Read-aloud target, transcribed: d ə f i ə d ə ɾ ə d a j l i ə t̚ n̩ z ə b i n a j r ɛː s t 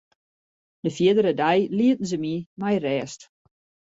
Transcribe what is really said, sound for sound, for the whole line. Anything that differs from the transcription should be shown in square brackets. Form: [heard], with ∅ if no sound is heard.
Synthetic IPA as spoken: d ə f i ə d ə ɾ ə d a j l i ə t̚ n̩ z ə [m] i [m] a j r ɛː s t